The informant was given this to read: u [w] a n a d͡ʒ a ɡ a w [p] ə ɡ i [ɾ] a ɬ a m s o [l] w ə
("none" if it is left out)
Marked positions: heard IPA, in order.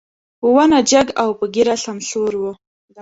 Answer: w, p, ɾ, ɾ

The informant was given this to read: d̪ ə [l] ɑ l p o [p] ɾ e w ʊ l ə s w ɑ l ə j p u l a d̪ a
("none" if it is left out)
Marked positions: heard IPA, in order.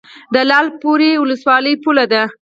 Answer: l, none

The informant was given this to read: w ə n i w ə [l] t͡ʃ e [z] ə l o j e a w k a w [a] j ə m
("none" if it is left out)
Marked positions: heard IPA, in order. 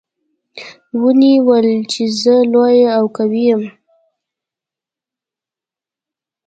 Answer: l, z, i

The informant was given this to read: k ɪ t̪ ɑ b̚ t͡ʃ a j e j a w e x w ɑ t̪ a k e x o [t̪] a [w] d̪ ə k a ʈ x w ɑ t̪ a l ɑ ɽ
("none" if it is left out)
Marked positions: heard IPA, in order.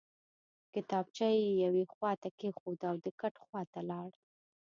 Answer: d̪, w

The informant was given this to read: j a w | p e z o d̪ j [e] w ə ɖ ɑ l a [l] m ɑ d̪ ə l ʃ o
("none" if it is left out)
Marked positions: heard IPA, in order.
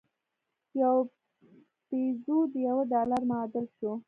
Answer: a, ɾ

